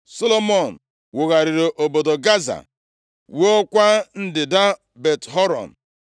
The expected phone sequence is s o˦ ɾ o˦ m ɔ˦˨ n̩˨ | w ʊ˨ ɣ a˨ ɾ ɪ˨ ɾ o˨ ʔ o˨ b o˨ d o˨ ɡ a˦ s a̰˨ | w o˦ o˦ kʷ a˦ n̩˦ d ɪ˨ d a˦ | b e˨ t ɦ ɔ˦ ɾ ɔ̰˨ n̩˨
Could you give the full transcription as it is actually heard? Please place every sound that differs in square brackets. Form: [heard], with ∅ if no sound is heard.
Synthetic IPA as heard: s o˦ [l] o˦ m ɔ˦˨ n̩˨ | w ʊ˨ ɣ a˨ ɾ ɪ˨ ɾ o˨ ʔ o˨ b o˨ d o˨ ɡ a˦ [z] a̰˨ | w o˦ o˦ kʷ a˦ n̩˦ d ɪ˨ d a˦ | b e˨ t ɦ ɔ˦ ɾ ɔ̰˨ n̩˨